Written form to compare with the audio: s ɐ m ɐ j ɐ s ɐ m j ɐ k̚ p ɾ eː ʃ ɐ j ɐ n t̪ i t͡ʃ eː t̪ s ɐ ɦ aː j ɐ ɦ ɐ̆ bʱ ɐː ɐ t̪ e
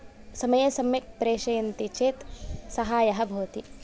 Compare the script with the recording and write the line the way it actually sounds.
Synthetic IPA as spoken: s ɐ m ɐ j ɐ s ɐ m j ɐ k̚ p ɾ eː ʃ ɐ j ɐ n t̪ i t͡ʃ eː t̪ s ɐ ɦ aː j ɐ ɦ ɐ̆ bʱ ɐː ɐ t̪ i